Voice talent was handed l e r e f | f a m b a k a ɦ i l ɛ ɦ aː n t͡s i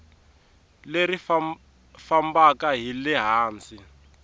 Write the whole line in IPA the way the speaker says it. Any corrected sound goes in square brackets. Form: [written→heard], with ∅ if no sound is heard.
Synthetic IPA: l e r [e→i] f | f a m b a k a ɦ i l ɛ ɦ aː n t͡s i